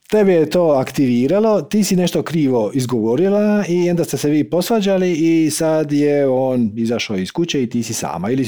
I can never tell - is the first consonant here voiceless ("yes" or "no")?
yes